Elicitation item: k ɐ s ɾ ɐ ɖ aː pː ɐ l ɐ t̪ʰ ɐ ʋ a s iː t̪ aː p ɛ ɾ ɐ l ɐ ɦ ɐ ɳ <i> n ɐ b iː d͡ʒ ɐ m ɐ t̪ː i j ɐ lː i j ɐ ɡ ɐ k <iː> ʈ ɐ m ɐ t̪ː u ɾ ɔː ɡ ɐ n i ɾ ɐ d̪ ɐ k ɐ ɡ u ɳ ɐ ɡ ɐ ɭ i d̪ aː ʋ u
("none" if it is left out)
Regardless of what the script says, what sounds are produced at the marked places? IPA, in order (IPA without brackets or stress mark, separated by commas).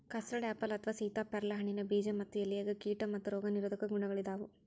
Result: i, iː